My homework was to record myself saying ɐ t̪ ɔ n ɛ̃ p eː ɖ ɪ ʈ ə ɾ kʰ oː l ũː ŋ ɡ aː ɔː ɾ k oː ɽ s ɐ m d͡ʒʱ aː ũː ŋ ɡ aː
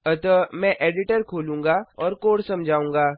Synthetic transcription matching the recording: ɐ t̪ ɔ m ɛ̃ ʔ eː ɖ ɪ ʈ ə ɾ kʰ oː l ũː ŋ ɡ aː ɔː ɾ k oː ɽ s ɐ m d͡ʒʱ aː ũː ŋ ɡ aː